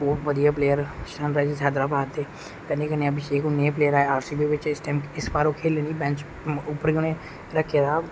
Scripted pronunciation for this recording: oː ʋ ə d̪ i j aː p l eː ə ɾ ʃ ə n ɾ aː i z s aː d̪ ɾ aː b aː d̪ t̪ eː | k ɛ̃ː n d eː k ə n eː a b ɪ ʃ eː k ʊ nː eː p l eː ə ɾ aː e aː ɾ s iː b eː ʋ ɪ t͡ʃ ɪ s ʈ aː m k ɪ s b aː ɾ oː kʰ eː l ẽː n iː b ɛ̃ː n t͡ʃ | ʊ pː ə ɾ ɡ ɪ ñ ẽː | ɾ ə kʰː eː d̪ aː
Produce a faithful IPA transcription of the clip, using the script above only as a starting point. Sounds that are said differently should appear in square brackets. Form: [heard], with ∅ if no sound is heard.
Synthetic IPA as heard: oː ʋ ə d̪ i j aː p l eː ə ɾ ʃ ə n ɾ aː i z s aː d̪ ɾ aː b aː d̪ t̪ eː | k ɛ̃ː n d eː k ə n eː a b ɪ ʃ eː k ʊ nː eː p l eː ə ɾ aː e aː ɾ s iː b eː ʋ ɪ t͡ʃ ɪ s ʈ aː m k ɪ s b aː ɾ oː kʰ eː l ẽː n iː b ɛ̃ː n t͡ʃ | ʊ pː ə ɾ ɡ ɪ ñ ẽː | ɾ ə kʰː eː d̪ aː